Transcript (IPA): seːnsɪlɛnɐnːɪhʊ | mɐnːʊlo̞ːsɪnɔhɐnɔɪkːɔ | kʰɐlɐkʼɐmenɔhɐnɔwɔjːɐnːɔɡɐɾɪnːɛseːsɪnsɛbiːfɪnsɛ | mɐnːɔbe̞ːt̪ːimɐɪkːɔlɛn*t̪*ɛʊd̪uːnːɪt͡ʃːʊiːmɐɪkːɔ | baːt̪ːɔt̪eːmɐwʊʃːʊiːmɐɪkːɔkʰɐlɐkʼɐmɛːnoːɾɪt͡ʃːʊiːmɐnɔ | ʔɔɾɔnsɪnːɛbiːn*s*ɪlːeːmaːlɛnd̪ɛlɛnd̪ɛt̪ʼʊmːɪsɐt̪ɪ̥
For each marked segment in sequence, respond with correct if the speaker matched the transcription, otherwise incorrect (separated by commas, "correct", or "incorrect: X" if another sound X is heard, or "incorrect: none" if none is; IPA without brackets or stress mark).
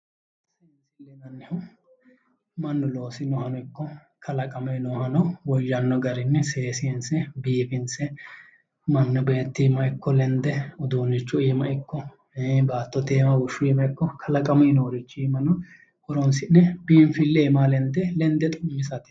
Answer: incorrect: d̪, incorrect: f